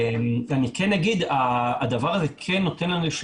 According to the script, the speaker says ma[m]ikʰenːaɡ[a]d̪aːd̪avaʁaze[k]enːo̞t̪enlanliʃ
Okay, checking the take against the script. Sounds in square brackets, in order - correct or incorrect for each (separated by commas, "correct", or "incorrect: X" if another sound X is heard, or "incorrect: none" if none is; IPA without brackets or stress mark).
incorrect: n, incorrect: i, incorrect: kʰ